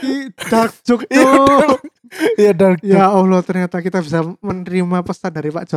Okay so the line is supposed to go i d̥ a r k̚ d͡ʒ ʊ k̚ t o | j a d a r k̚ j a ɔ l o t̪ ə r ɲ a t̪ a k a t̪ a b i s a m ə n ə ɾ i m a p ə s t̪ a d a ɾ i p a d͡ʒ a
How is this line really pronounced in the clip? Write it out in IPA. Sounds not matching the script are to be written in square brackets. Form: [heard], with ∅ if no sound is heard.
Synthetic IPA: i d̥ a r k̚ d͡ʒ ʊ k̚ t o | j a d a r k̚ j a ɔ l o t̪ ə r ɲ a t̪ a k [i] t̪ a b i s a m ə n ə ɾ i m a p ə s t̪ a d a ɾ i p a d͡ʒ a